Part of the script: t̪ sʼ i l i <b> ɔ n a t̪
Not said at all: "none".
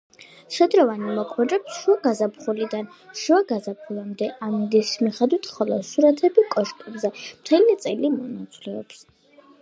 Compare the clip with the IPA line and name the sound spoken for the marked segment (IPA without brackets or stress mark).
m